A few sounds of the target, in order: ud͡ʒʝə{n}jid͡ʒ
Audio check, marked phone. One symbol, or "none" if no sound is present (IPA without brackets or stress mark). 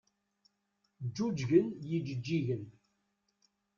n